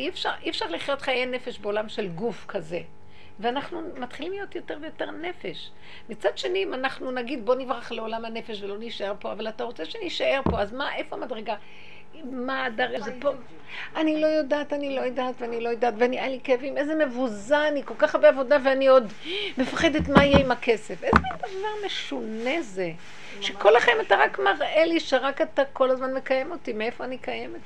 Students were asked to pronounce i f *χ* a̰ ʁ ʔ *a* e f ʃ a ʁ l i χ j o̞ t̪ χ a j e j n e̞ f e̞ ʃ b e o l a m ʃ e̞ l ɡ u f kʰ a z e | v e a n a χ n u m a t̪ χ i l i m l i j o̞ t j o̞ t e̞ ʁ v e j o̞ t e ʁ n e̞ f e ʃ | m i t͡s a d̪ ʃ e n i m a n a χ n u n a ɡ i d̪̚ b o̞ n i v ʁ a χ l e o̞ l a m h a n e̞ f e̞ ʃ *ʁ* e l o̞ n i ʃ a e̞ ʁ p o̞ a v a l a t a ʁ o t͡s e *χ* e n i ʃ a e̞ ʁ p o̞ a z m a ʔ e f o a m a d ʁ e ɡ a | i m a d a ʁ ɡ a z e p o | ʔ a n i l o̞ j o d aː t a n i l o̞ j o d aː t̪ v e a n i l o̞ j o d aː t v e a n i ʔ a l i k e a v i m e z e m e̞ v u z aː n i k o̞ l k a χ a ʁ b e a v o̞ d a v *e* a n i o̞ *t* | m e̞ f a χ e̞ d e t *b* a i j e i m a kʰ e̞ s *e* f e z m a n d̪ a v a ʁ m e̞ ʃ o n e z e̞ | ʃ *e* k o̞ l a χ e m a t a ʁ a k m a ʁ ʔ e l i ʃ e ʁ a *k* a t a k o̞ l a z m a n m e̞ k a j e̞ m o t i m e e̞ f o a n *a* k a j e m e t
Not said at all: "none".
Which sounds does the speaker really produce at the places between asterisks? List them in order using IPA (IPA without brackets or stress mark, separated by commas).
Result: ʃ, i, v, ʃ, e, d, m, e, e, k, i